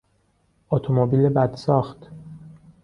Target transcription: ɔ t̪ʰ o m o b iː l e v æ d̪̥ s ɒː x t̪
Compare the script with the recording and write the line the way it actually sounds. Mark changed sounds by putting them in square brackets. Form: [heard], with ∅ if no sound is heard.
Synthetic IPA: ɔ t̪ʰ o m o b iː l e [b] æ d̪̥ s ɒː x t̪